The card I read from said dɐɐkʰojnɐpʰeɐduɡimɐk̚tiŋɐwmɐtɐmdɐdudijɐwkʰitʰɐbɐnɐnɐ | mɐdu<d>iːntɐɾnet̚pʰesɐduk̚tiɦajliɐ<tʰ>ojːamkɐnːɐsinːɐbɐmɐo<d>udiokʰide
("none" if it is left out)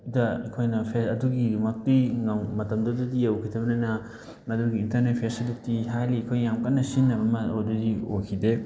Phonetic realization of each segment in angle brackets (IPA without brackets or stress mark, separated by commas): ɡ, kʰ, d